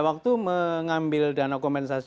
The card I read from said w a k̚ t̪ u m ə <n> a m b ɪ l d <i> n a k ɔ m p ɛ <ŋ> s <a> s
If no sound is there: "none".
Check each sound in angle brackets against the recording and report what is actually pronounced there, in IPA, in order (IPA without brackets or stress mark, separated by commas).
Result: ŋ, a, n, a